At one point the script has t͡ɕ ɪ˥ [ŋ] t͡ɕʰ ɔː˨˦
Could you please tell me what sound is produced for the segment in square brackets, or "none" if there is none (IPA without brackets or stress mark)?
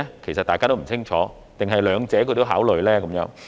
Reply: ŋ